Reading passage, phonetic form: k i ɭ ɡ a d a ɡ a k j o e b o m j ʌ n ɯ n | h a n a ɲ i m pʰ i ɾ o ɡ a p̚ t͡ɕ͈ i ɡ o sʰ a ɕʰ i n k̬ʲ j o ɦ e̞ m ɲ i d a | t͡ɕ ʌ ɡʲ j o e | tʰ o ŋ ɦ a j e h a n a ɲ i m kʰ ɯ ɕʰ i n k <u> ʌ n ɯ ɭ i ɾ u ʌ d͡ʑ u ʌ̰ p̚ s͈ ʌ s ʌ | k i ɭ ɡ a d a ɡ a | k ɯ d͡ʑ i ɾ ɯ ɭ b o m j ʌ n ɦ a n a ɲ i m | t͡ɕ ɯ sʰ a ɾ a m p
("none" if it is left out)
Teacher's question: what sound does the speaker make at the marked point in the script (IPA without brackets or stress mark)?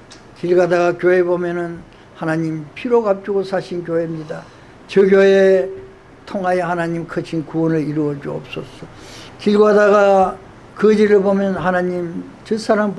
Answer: u